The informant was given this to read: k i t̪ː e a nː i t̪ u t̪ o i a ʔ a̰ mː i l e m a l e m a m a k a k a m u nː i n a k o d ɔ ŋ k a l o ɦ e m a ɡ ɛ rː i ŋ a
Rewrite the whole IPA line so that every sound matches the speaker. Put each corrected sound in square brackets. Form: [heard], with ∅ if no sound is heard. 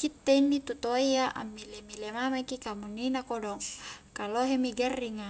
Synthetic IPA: k i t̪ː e [i] nː i t̪ u t̪ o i a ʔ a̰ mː i l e m [i] l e m a m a k [i] k a m u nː i n a k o d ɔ ŋ k a l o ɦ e m [i] ɡ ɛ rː i ŋ a